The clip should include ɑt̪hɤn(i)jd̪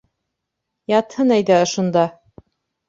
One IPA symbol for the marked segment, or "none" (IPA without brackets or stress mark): æ